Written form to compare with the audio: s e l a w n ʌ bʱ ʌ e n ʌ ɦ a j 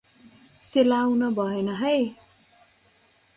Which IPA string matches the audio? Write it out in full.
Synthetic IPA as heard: s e l a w n ʌ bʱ ʌ e n ʌ ɦ ʌ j